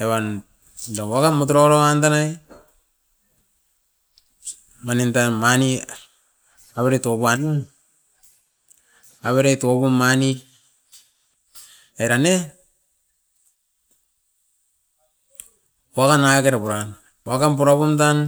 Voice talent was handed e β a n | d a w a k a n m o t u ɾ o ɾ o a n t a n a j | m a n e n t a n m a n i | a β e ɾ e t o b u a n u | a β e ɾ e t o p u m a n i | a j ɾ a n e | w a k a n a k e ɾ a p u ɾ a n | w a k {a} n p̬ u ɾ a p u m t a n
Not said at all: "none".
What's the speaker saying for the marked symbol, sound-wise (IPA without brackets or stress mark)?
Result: a